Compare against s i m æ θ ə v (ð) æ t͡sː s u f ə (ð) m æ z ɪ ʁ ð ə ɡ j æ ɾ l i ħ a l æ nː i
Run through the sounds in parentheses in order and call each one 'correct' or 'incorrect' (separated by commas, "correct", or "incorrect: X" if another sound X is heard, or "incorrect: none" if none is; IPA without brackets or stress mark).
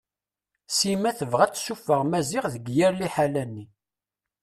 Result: incorrect: ʁ, incorrect: ʁ